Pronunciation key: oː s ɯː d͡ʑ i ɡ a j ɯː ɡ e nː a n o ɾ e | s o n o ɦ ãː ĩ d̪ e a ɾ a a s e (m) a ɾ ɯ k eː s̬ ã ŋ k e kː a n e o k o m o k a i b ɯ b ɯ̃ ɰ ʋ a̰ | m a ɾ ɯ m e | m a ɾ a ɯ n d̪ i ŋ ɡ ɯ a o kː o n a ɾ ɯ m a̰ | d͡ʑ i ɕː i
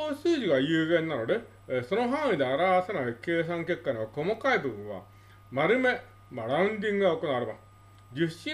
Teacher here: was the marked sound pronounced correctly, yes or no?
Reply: no